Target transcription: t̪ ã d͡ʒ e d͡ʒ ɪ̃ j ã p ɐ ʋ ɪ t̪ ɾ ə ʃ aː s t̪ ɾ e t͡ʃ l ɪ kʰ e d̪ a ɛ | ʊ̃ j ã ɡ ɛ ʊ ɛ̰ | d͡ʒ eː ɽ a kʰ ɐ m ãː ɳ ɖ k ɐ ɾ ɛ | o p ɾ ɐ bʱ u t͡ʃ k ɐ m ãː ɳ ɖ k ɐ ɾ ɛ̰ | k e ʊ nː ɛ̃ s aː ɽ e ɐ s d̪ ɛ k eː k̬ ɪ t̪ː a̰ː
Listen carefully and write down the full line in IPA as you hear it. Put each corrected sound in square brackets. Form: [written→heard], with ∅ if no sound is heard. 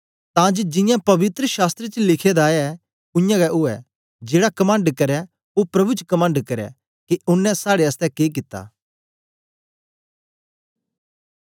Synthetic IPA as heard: t̪ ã d͡ʒ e d͡ʒ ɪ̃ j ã p ɐ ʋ ɪ t̪ ɾ ə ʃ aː s t̪ ɾ e t͡ʃ l ɪ kʰ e d̪ a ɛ | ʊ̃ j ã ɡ ɛ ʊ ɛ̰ | d͡ʒ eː ɽ a [kʰ→k] ɐ m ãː ɳ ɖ k ɐ ɾ ɛ | o p ɾ ɐ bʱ u t͡ʃ k ɐ m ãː ɳ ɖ k ɐ ɾ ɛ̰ | k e ʊ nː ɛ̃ s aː ɽ e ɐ s [d̪→t̪] ɛ k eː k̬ ɪ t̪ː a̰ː